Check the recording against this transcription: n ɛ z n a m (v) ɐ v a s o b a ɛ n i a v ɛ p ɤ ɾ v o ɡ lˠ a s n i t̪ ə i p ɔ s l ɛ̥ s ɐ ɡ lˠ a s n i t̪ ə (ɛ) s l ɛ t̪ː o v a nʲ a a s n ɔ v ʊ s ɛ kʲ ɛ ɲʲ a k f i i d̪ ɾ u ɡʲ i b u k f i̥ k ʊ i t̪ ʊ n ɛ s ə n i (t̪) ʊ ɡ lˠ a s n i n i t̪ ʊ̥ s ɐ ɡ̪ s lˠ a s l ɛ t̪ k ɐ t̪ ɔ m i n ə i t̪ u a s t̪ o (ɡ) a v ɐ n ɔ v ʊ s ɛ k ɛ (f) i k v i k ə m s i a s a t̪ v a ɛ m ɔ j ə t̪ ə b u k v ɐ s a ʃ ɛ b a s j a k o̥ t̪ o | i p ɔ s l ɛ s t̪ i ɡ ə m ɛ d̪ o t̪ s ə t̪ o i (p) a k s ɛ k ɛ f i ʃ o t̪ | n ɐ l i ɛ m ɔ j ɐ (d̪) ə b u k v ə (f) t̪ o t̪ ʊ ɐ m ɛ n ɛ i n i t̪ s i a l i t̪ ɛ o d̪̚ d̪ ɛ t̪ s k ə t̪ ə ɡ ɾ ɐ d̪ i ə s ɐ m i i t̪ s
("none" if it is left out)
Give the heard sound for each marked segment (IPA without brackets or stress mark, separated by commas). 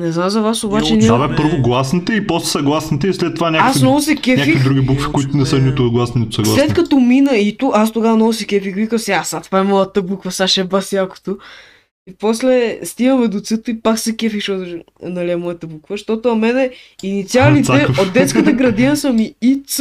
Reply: z, i, t̪, ɡ, f, p, t̪, ʃ